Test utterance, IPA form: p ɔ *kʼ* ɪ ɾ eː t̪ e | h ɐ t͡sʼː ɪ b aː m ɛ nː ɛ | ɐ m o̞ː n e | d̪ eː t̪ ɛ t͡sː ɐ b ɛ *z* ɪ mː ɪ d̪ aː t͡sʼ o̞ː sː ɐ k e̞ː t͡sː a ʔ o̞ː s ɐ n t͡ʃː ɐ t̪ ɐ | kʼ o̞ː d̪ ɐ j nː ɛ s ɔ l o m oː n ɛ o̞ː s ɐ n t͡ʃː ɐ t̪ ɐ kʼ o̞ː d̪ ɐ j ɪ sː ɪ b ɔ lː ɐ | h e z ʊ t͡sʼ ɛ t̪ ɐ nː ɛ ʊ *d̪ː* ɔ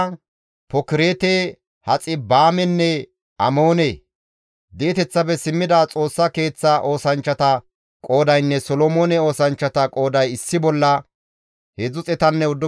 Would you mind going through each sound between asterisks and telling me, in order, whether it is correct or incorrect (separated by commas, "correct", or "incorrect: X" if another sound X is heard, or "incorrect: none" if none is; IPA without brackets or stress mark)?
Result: incorrect: k, incorrect: s, correct